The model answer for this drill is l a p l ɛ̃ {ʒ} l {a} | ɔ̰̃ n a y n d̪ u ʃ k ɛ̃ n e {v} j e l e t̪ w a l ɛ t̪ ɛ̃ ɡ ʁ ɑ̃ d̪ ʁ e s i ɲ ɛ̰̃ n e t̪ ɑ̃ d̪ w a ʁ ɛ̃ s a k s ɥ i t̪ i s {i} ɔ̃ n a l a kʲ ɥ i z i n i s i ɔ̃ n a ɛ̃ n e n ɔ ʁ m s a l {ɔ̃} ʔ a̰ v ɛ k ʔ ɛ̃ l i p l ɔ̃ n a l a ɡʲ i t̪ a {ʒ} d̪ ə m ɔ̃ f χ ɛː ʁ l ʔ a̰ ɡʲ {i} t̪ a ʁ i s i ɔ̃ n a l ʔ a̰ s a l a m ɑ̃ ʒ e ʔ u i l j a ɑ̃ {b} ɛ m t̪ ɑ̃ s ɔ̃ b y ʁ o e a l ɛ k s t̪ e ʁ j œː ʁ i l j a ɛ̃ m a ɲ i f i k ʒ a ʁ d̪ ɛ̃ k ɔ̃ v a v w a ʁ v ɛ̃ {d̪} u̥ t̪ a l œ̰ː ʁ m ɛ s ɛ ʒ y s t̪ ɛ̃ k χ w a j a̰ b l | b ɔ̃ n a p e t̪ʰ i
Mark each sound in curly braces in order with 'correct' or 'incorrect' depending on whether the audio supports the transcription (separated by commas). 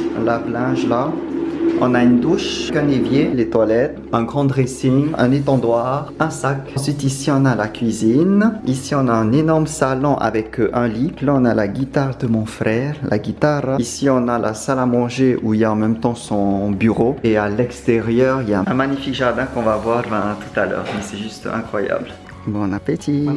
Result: correct, correct, correct, correct, correct, incorrect, correct, incorrect, incorrect